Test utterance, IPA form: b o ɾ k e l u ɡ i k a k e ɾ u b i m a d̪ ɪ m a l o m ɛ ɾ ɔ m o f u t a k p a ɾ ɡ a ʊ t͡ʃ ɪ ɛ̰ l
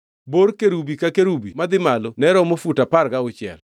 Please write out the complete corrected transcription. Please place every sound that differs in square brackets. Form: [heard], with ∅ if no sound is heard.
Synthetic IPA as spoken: b o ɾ k e [ɾ] u [b] i k a k e ɾ u b i m a d̪ ɪ m a l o [n] ɛ ɾ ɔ m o f u t a [∅] p a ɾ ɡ a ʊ t͡ʃ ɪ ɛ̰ l